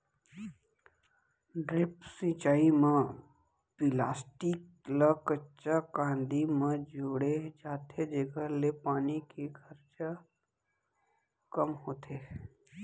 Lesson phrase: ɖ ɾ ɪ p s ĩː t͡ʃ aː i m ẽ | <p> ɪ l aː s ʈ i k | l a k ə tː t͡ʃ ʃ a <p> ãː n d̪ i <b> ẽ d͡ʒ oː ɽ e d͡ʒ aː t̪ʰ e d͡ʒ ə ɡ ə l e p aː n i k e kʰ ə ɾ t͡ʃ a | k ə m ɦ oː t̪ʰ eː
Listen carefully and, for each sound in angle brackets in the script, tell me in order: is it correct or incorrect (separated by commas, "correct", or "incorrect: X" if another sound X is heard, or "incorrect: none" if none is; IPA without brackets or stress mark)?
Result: correct, incorrect: k, incorrect: m